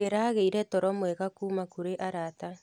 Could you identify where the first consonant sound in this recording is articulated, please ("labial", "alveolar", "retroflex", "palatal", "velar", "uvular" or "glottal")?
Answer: alveolar